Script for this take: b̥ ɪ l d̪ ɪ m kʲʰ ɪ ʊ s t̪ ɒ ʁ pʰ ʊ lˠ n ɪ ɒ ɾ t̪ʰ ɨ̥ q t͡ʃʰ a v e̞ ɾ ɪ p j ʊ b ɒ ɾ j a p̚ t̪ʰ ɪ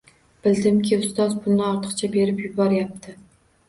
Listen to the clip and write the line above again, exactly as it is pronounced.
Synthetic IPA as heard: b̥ ɪ l d̪ ɪ m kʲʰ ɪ ʊ s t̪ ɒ z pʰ ʊ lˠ n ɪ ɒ ɾ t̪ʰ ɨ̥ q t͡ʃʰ a b e̞ ɾ ɪ p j ʊ b ɒ ɾ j a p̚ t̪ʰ ɪ